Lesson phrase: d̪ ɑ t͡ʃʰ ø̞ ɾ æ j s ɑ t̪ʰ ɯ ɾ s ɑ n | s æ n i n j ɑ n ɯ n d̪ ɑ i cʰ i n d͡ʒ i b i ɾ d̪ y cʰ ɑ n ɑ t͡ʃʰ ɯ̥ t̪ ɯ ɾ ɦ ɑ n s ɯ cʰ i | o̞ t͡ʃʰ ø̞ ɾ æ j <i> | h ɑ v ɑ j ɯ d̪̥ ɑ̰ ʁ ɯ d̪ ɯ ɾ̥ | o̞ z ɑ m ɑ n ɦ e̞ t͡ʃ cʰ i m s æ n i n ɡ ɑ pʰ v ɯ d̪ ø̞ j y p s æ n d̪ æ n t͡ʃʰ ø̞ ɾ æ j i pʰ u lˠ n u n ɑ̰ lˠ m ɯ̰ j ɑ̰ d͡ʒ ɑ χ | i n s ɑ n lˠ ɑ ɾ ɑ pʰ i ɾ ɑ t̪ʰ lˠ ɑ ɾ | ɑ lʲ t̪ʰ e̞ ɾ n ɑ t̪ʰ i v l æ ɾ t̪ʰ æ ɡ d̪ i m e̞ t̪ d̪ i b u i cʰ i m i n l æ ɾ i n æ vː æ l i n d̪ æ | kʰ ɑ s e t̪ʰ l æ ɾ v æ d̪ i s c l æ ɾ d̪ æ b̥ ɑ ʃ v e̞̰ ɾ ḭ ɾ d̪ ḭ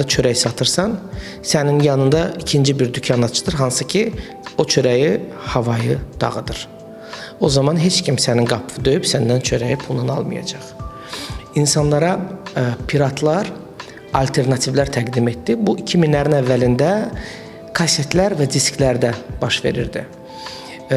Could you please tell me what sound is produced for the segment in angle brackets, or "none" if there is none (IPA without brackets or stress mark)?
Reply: i